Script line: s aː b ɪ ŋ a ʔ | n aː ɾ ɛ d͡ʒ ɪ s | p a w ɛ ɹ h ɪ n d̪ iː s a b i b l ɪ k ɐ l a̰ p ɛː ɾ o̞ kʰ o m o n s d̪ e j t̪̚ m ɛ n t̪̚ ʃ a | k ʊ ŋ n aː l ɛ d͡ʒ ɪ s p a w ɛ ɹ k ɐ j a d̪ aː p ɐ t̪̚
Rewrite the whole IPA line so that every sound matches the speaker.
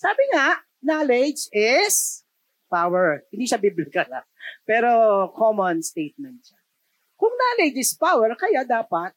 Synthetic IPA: s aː b ɪ ŋ a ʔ | n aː l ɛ d͡ʒ ɪ s | p a w ɛ ɹ h ɪ n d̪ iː ʃ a b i b l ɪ k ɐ l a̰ p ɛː ɾ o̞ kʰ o m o n s t̪ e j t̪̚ m ɛ n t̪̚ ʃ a | k ʊ ŋ n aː l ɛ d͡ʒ ɪ s p a w ɛ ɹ k ɐ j a d̪ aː p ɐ t̪̚